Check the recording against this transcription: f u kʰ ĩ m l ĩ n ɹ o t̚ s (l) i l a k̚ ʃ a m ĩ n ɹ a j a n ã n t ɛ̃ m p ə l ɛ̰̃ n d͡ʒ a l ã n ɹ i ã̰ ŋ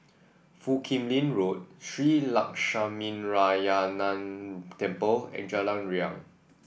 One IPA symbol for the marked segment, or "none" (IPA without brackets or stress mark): ɹ